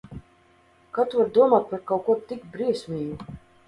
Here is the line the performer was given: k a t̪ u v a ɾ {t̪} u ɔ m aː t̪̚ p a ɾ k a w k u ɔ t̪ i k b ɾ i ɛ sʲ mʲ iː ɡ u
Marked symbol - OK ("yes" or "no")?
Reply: no